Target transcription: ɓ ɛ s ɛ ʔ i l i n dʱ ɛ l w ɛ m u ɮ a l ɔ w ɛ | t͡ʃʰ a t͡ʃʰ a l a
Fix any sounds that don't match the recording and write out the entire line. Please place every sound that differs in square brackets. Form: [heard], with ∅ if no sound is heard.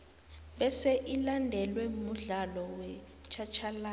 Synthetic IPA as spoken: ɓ ɛ s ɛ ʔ i l [a] n dʱ ɛ l w ɛ m u ɮ a l ɔ w ɛ | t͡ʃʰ a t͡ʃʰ a l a